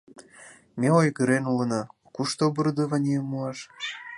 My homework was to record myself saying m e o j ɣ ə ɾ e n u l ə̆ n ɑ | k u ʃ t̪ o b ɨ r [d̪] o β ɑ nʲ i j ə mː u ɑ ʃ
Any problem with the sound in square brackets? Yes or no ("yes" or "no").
no